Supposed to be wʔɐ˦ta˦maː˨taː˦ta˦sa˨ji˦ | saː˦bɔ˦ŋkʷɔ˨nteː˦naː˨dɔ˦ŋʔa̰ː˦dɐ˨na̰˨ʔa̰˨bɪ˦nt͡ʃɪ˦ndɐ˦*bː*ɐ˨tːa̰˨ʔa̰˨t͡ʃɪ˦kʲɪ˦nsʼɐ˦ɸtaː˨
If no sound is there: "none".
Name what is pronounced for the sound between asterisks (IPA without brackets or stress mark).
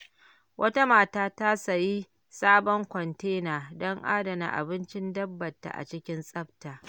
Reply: bː